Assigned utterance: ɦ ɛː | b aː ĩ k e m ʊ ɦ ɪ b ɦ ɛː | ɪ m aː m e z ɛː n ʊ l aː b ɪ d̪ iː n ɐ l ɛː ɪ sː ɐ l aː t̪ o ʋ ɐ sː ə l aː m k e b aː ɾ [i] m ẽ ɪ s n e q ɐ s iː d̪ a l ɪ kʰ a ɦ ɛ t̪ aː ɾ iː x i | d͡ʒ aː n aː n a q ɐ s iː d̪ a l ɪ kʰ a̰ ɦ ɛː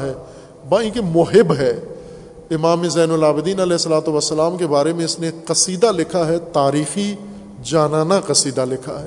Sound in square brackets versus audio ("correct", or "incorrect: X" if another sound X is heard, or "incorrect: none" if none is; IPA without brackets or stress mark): incorrect: e